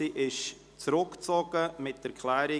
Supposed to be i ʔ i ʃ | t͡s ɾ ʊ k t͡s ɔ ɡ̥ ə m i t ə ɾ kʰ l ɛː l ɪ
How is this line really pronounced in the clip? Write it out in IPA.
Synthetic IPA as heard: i ʔ ɪ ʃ | t͡s ɾ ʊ k t͡s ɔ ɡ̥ ə m ɪ t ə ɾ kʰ l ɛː ɾ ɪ